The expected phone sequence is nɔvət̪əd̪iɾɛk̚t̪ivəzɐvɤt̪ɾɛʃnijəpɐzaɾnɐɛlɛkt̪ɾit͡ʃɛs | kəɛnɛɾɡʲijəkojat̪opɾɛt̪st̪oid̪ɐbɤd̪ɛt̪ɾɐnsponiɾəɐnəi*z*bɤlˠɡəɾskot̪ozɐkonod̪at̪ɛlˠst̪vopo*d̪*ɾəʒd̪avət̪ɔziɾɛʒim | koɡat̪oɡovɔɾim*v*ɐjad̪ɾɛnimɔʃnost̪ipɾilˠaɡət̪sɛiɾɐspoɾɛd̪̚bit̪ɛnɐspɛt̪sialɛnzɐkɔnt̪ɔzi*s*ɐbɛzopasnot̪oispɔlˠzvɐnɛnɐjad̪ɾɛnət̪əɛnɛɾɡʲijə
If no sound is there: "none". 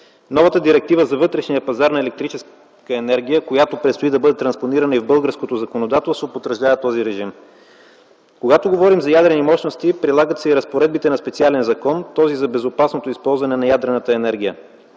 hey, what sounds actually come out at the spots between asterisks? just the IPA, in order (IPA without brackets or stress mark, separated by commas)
v, t̪, z, z